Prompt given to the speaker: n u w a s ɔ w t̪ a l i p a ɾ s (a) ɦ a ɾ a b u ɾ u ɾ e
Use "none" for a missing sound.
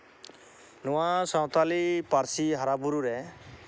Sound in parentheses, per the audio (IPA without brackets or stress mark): i